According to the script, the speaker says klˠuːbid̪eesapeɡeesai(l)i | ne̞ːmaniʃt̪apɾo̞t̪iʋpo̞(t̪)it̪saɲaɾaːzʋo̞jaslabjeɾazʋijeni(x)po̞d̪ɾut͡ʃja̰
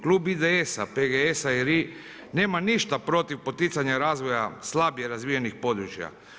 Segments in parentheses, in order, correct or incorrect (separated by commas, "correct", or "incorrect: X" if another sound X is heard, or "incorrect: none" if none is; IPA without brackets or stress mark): incorrect: ɾ, correct, correct